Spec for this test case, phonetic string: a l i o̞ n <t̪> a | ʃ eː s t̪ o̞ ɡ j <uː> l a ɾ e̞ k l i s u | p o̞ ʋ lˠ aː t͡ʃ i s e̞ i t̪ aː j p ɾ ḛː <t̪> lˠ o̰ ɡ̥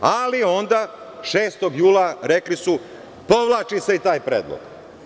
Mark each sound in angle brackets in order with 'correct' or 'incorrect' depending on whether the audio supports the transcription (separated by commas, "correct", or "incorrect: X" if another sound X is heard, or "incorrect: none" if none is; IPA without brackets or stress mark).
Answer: incorrect: d̪, correct, incorrect: d̪